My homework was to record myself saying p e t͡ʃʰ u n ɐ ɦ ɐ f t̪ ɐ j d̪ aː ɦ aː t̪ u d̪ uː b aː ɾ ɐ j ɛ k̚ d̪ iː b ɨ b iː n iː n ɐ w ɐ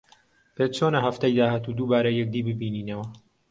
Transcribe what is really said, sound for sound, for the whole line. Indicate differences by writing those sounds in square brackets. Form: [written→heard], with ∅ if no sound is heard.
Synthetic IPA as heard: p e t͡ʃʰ [u→o] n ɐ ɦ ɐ f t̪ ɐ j d̪ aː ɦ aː t̪ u d̪ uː b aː ɾ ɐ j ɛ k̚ d̪ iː b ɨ b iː n iː n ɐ w ɐ